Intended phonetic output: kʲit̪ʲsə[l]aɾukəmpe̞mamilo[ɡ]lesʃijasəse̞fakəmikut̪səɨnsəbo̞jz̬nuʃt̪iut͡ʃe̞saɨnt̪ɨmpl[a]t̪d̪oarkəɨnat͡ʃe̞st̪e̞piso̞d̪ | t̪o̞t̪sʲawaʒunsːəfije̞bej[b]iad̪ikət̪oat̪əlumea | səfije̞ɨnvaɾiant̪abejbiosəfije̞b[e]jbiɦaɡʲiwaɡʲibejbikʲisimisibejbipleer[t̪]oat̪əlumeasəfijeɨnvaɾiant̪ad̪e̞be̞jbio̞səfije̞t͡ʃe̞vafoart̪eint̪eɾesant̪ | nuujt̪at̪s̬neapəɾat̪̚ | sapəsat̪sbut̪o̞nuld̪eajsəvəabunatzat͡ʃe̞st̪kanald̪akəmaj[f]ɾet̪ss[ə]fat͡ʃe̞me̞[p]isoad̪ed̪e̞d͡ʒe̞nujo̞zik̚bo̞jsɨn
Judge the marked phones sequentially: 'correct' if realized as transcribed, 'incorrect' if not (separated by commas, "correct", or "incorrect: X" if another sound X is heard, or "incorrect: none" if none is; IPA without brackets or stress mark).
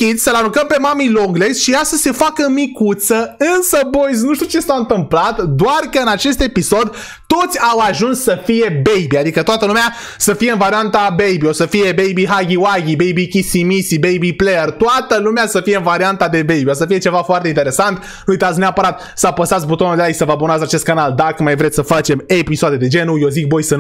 correct, correct, correct, correct, correct, correct, incorrect: v, correct, correct